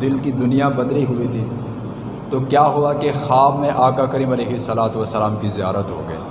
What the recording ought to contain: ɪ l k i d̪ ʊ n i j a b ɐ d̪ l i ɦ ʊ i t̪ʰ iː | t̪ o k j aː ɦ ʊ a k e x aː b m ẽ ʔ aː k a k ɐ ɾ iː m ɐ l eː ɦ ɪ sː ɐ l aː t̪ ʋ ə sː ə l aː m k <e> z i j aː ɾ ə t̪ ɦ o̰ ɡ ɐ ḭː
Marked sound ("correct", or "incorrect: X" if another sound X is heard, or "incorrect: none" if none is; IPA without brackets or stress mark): incorrect: i